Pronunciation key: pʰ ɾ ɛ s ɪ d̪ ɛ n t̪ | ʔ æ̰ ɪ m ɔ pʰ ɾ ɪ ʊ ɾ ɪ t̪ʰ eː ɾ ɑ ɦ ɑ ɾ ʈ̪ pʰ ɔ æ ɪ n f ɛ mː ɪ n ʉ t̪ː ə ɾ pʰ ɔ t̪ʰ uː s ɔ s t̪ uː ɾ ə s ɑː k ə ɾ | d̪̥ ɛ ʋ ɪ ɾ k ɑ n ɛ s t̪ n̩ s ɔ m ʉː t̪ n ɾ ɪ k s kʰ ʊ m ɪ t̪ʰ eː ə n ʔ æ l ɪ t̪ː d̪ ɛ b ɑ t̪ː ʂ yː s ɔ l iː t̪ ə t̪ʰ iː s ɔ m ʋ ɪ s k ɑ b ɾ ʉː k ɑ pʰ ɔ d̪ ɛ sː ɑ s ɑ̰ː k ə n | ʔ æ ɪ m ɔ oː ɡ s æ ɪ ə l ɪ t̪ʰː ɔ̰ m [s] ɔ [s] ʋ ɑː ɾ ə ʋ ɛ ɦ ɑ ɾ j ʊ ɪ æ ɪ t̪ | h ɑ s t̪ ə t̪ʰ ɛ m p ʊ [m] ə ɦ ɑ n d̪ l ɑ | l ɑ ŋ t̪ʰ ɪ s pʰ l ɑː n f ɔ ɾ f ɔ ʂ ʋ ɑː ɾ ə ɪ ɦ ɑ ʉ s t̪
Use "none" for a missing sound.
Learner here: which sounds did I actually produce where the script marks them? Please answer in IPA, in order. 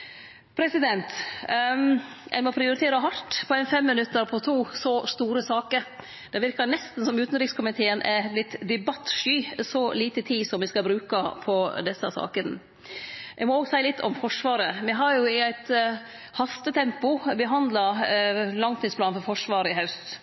f, ʂ, b

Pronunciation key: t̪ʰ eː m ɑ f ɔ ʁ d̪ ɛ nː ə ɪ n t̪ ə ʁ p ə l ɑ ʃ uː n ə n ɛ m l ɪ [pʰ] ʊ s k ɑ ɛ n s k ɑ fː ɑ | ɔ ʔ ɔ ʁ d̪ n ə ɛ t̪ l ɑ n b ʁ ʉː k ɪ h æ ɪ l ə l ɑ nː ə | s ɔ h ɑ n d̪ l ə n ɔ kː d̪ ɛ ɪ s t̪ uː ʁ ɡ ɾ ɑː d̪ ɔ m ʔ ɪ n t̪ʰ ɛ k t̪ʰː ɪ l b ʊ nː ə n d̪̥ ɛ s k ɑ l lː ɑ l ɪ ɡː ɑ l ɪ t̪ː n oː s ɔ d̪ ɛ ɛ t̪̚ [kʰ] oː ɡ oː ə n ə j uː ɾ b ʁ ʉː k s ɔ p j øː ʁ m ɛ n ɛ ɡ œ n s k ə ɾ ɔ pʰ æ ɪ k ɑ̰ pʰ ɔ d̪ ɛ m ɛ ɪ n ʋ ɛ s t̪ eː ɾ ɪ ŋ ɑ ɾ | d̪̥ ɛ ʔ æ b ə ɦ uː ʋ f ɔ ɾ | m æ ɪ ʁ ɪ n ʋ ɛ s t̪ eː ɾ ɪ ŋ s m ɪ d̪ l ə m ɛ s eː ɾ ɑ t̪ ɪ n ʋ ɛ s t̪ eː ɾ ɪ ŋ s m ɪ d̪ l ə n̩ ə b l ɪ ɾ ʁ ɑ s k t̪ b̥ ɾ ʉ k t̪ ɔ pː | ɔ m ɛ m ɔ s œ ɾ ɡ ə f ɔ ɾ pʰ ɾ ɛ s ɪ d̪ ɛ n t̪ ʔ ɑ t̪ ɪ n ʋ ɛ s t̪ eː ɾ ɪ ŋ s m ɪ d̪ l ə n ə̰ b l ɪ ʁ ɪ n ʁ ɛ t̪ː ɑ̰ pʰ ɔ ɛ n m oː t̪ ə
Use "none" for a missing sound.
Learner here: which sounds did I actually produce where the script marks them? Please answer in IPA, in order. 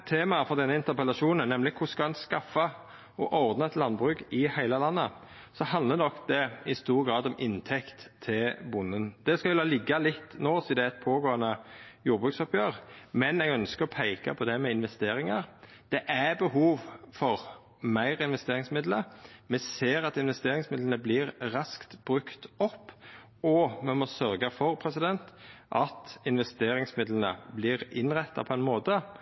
kʰ, pʰ

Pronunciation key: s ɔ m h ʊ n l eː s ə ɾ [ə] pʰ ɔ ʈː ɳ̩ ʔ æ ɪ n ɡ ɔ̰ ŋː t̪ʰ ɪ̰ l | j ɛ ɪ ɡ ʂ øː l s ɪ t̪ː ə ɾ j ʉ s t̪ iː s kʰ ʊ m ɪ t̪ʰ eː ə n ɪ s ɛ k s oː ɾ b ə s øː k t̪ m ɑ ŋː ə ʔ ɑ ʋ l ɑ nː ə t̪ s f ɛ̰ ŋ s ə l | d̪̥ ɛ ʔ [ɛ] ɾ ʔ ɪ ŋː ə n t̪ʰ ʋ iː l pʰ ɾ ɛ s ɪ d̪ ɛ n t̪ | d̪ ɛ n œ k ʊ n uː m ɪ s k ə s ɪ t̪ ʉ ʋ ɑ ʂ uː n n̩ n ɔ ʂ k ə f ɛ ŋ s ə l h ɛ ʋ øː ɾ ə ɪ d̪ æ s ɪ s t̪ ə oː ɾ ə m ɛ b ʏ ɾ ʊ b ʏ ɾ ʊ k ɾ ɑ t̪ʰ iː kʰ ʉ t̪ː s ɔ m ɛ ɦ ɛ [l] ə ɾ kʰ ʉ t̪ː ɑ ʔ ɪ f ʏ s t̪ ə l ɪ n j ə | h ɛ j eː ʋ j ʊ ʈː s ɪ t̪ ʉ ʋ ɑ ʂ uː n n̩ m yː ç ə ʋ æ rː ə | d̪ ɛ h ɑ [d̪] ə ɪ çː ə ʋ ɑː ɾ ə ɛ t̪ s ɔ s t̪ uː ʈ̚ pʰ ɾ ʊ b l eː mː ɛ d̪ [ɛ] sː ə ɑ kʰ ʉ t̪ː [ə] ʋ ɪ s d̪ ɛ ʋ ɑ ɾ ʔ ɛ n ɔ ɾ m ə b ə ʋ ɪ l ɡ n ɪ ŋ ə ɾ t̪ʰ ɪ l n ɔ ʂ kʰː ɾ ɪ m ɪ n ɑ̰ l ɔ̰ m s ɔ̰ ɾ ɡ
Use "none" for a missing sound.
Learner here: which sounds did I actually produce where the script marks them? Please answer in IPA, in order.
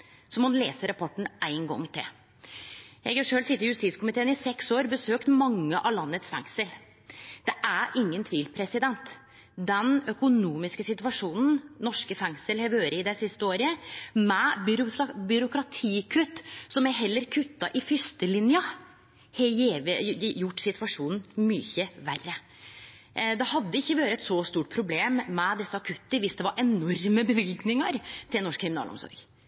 ɑ, æ, lː, d̪ː, ɛ, ə

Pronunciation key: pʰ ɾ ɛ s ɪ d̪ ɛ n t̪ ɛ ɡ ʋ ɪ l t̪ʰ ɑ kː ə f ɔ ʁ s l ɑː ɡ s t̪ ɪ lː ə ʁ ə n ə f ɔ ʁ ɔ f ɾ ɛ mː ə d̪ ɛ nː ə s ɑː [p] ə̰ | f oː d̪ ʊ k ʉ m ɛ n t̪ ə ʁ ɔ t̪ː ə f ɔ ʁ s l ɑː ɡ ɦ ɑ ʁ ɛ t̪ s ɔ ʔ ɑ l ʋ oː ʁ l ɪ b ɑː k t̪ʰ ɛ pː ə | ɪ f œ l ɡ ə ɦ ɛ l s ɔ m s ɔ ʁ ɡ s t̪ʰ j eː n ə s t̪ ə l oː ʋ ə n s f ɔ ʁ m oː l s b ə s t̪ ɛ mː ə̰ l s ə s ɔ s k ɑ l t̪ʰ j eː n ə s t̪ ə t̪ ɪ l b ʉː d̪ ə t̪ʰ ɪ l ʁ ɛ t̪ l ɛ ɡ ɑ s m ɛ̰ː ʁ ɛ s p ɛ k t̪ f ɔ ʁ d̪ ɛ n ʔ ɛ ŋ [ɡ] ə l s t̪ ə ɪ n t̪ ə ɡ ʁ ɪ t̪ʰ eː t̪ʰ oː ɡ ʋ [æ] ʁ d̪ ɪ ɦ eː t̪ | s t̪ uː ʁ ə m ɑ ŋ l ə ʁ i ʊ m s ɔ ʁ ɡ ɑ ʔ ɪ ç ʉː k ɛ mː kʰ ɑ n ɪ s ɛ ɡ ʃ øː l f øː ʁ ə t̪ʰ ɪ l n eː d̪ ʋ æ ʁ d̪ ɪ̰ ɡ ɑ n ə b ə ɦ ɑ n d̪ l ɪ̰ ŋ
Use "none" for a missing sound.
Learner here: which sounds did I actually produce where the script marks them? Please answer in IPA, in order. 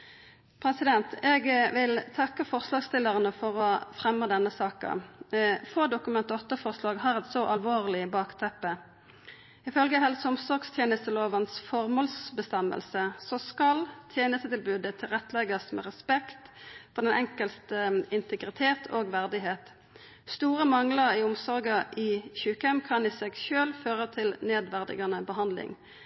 k, k, æ

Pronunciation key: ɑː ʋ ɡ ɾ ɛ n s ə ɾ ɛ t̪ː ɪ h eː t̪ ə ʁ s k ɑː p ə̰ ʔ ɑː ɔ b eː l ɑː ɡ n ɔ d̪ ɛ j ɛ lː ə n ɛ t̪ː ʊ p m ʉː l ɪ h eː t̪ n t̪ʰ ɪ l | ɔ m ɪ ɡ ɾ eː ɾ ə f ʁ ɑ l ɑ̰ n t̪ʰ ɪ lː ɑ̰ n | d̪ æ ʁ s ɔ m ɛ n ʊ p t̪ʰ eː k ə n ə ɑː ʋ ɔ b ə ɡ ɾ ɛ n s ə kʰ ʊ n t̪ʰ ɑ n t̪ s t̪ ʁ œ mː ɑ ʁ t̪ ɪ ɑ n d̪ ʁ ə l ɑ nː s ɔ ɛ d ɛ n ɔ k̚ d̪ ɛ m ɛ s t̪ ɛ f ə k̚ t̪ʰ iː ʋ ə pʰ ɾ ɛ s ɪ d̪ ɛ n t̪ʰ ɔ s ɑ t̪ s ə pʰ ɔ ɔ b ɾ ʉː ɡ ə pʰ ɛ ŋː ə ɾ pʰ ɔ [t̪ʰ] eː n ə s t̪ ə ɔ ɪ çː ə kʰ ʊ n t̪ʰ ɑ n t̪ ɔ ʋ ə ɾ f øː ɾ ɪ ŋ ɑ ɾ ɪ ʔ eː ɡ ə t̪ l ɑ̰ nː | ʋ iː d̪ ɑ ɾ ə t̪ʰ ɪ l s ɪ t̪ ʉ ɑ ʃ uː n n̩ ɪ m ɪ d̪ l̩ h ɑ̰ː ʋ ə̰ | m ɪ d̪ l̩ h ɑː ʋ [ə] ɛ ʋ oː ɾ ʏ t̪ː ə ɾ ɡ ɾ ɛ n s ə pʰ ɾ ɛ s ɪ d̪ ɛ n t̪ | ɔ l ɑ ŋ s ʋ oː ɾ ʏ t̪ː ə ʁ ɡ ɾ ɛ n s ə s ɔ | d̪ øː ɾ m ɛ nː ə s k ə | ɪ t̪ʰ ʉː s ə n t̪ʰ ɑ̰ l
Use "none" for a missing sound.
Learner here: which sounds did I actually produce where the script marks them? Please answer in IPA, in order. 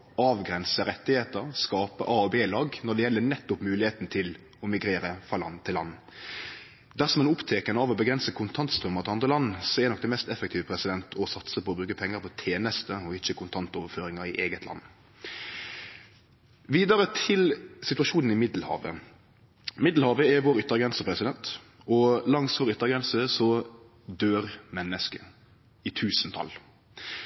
t̪ʰ, ə

